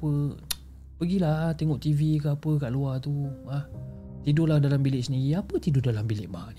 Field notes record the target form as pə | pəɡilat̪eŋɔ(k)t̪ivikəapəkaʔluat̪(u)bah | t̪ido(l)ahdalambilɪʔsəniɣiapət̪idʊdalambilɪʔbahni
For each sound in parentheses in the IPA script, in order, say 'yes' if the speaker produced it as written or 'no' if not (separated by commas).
no, yes, yes